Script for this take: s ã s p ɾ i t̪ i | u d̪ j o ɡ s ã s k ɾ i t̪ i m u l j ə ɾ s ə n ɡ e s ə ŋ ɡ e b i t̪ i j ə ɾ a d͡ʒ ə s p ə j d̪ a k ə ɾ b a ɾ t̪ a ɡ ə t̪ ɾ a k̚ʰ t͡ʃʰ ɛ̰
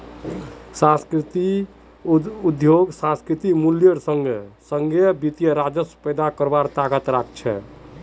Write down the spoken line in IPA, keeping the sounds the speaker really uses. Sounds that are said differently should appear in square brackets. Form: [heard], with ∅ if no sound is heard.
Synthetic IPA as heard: s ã s [k] ɾ i t̪ i | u d̪ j o ɡ s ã s k ɾ i t̪ i m u l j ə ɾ s ə [ŋ] ɡ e s ə ŋ ɡ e b i t̪ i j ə ɾ a d͡ʒ ə s p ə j d̪ a k ə ɾ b a ɾ t̪ a ɡ ə t̪ ɾ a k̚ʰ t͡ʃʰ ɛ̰